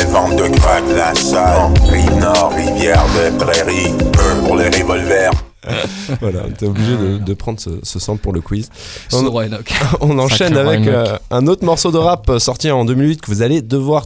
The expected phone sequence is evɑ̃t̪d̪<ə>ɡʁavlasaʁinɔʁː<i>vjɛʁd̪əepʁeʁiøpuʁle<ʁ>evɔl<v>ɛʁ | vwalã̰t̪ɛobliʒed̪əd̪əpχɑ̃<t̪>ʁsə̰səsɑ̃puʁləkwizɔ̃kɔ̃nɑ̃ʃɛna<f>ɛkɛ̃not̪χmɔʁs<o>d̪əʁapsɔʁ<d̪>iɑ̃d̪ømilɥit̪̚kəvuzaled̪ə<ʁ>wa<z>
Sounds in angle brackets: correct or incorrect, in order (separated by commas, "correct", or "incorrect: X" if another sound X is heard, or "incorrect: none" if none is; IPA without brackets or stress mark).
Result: correct, correct, correct, correct, incorrect: d̪, incorrect: v, correct, incorrect: t̪, incorrect: v, incorrect: ʁ